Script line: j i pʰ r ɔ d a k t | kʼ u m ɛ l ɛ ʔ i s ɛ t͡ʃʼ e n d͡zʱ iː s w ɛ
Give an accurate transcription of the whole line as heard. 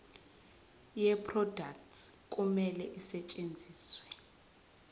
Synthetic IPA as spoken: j ɛ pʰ r ɔ d a k t | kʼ u m ɛ l ɛ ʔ i s ɛ t͡ʃʼ e n d͡zʱ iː s w ɛ